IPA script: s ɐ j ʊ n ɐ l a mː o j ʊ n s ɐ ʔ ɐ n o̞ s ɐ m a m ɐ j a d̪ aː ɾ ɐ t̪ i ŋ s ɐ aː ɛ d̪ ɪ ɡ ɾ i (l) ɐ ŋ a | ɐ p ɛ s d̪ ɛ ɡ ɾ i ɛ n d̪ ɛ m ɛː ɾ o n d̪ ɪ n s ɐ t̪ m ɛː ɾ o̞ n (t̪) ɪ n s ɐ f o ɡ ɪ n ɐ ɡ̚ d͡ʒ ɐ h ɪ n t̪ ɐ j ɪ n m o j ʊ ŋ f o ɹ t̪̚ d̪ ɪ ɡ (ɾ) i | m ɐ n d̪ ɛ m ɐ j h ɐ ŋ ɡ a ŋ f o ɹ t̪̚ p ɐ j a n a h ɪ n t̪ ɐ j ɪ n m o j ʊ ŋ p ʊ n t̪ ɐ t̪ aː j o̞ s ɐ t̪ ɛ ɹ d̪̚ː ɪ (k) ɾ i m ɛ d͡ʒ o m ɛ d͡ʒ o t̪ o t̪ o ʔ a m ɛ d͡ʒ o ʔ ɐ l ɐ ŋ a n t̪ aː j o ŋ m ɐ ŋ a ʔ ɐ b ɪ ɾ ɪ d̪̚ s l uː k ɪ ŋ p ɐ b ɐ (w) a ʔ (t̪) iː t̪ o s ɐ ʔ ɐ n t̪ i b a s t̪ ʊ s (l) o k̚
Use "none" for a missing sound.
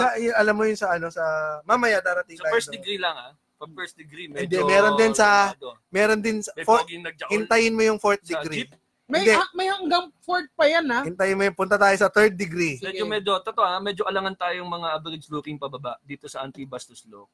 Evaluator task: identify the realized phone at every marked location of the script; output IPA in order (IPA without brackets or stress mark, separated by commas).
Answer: l, d̪, ɾ, ɡ, b, d̪, l